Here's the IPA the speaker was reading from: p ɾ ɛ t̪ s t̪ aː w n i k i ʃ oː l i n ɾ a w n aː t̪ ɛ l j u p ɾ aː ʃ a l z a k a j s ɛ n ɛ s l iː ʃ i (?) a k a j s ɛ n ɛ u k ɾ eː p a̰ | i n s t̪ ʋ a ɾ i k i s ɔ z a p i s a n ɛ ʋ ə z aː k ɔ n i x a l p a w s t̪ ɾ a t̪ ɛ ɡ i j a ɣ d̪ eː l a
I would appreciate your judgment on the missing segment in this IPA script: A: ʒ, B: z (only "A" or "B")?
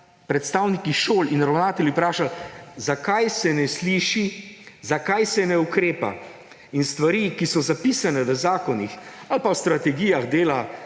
B